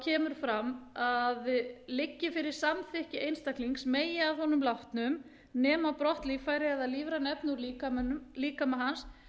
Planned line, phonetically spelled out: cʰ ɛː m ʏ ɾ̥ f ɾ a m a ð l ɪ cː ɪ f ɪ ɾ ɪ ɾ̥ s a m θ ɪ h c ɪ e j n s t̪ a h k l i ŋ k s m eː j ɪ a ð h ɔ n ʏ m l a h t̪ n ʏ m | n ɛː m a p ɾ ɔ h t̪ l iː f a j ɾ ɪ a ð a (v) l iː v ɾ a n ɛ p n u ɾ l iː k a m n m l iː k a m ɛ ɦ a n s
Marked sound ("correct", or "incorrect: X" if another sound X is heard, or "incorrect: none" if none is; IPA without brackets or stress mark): incorrect: ð